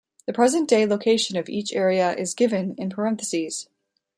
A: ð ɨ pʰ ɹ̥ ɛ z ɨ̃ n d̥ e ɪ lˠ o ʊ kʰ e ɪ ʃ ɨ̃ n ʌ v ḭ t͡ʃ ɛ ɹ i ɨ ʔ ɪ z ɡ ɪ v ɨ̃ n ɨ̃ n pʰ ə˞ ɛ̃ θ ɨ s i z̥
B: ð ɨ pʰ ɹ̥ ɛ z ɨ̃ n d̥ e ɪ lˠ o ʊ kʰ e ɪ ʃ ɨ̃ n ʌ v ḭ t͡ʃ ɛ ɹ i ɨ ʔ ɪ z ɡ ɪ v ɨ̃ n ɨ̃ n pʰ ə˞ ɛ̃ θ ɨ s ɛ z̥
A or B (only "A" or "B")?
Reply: A